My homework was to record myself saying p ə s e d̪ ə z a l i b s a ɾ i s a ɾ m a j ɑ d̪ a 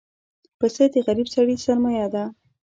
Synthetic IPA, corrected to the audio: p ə s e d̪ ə ɣ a ɾ i b s a ɽ i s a ɾ m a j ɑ d̪ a